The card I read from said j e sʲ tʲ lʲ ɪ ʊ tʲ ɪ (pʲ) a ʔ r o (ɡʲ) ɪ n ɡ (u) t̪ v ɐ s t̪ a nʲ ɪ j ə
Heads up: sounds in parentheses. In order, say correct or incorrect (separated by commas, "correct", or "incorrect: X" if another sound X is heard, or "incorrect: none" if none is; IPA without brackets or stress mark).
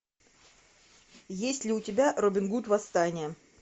incorrect: bʲ, incorrect: bʲ, correct